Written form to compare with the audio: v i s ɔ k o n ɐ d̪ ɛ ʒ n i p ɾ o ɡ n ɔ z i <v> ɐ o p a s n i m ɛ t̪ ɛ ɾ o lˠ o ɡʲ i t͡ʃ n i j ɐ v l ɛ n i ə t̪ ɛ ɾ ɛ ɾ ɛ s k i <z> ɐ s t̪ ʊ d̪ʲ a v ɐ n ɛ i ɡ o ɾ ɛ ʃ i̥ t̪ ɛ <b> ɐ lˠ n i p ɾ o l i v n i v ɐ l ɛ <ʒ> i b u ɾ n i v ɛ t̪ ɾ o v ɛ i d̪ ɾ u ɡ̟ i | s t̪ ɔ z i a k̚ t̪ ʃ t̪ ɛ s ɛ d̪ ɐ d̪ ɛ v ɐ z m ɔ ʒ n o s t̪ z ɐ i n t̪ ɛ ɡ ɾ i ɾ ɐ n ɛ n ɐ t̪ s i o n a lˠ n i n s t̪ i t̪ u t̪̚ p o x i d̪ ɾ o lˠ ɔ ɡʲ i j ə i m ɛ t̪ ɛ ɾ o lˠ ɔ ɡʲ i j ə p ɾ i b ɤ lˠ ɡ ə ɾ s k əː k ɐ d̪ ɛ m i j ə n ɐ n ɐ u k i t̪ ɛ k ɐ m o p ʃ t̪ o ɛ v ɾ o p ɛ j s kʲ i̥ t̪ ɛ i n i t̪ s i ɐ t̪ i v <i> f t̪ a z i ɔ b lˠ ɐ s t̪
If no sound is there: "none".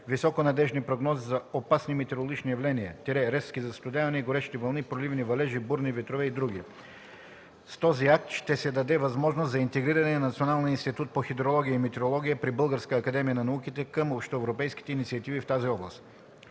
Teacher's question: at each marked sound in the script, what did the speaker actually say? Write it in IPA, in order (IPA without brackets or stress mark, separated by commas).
z, z, v, ʒ, i